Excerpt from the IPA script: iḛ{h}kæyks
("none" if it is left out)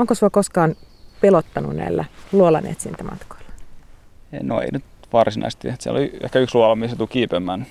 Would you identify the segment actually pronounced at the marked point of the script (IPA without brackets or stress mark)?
h